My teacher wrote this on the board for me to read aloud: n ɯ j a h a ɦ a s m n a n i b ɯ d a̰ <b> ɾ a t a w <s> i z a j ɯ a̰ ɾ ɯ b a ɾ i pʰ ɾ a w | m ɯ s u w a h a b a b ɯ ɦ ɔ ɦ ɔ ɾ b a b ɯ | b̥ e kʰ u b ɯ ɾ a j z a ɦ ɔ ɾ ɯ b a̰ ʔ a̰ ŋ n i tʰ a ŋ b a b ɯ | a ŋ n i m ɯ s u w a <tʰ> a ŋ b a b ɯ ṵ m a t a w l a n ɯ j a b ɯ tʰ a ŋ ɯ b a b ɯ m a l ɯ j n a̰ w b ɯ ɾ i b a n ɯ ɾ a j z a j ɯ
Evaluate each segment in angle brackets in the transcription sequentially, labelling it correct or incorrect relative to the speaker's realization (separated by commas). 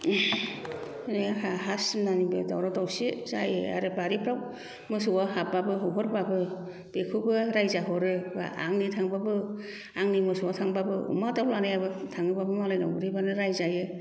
incorrect, correct, correct